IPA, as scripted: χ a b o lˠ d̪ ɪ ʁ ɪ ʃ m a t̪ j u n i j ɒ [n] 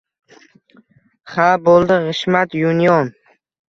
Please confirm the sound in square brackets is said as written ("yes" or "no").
yes